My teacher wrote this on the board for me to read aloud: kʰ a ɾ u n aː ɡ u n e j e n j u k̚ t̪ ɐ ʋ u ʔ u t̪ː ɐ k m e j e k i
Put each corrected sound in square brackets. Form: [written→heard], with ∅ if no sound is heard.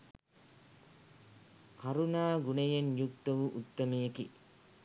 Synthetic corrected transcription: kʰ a ɾ u n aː ɡ u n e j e n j u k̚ t̪ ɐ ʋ u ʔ u t̪ː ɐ [k→∅] m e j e k i